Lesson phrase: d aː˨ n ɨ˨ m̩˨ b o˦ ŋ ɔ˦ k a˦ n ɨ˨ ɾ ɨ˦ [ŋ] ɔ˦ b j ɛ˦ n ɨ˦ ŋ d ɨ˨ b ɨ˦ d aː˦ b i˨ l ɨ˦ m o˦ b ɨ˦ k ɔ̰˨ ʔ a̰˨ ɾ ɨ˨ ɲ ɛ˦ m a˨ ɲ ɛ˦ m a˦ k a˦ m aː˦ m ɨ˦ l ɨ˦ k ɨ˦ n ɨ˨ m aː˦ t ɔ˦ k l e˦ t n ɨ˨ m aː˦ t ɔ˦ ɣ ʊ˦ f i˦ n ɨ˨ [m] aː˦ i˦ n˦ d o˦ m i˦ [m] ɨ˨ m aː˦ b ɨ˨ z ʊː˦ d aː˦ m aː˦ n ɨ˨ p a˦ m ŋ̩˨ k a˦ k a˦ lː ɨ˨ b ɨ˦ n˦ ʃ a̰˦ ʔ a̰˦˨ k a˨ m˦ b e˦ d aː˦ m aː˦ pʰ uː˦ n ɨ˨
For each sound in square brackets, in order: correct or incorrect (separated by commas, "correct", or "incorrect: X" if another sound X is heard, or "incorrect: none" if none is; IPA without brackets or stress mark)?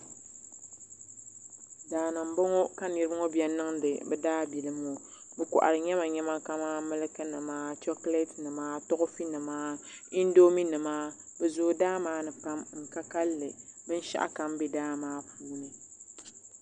correct, correct, incorrect: n